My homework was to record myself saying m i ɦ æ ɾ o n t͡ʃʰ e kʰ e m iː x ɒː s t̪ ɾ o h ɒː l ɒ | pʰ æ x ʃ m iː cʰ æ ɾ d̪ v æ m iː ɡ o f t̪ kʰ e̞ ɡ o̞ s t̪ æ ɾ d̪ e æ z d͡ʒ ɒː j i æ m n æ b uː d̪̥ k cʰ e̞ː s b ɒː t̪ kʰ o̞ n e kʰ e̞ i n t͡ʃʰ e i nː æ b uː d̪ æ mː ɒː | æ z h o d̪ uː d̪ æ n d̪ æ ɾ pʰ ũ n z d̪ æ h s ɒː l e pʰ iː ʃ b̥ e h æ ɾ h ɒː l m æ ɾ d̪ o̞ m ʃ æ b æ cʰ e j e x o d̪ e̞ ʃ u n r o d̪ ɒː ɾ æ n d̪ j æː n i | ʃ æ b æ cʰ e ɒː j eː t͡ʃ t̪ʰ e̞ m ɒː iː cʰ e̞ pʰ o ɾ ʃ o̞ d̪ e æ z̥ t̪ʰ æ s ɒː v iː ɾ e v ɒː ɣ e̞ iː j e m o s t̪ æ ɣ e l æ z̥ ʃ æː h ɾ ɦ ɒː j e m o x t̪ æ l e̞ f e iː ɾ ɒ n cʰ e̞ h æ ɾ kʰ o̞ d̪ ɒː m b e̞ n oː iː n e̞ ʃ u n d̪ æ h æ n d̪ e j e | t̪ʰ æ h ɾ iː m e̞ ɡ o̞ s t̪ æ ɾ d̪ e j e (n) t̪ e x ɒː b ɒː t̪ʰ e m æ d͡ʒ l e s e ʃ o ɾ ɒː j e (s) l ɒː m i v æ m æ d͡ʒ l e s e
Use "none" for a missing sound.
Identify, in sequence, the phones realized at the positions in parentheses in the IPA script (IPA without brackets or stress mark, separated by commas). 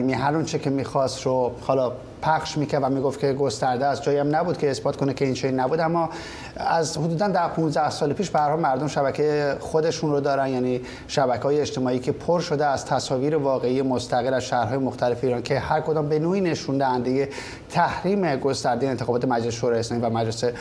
n, s